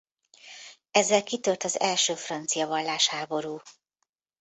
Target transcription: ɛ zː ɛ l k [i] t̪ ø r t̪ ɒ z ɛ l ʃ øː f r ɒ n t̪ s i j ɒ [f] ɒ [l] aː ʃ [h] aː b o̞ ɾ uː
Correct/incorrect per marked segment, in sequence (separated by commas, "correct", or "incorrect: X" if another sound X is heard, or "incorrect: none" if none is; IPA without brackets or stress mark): correct, incorrect: v, incorrect: lː, correct